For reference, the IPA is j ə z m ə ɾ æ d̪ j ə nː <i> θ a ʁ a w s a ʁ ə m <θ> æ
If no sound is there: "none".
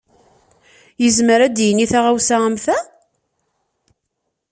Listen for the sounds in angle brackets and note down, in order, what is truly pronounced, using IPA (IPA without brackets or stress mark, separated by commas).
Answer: i, θ